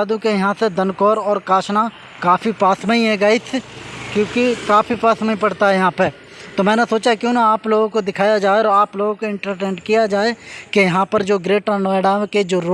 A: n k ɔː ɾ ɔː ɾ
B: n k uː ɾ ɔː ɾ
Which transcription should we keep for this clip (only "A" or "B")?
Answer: A